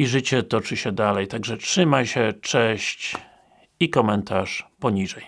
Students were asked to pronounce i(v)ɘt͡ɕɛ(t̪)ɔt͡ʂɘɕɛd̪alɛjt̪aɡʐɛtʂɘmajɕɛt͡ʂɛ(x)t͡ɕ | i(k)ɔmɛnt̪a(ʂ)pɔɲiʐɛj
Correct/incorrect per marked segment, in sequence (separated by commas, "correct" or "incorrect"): incorrect, correct, incorrect, correct, correct